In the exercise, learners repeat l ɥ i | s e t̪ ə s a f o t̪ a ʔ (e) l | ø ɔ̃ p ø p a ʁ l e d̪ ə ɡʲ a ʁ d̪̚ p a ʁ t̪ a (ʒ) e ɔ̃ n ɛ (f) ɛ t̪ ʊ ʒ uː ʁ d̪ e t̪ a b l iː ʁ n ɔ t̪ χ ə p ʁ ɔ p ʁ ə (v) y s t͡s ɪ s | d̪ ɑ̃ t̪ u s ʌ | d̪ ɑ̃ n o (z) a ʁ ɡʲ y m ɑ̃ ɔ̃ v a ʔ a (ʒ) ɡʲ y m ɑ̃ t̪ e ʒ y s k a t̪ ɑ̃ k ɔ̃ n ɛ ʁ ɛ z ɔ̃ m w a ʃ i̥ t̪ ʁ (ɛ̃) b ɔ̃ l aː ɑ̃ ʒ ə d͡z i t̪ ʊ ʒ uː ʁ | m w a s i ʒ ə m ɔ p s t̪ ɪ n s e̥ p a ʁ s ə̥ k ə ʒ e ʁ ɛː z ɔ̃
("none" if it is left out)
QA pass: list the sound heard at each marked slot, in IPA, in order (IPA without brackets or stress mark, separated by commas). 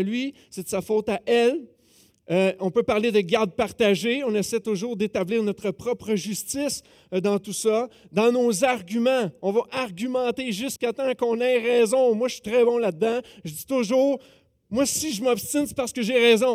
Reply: ɛ, ʒ, s, ʒ, z, ʁ, ɛ